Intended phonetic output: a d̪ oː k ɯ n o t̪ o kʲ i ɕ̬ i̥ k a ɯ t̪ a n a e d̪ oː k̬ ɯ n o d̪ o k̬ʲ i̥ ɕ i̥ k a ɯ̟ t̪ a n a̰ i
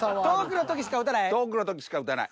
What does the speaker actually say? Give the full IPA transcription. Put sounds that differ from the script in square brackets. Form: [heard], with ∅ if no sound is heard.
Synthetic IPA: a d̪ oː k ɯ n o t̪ o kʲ i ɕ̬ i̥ k a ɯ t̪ a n a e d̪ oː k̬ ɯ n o [t̪] o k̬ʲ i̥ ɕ i̥ k a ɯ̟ t̪ a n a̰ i